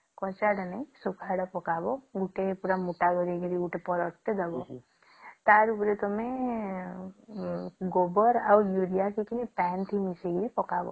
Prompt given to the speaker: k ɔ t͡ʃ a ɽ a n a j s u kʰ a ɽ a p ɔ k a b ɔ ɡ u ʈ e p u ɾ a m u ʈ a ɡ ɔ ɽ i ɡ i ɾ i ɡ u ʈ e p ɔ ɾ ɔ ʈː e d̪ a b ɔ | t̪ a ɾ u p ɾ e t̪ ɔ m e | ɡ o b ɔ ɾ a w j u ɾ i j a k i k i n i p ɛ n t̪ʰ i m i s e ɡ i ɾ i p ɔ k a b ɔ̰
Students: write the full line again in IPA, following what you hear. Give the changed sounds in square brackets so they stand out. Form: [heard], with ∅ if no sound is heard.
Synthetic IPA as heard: k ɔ t͡ʃ a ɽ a n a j s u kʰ a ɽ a p ɔ k a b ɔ ɡ u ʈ e p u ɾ a m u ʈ a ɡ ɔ [ɾ] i ɡ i ɾ i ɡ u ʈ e p ɔ ɾ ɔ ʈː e d̪ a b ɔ | t̪ a ɾ u p ɾ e t̪ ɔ m e | ɡ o b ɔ ɾ a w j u ɾ i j a k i k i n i p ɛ n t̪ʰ i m i s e ɡ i ɾ i p ɔ k a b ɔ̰